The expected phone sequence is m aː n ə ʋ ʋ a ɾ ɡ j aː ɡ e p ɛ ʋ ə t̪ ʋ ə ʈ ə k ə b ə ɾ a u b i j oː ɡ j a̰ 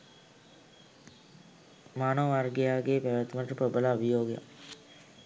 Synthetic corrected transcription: m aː n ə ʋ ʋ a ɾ ɡ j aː ɡ e p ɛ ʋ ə t̪ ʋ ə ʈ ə p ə b ə l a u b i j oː ɡ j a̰